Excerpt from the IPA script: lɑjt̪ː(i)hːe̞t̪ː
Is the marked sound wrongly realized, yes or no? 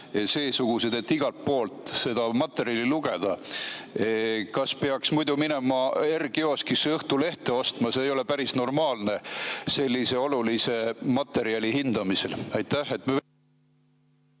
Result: yes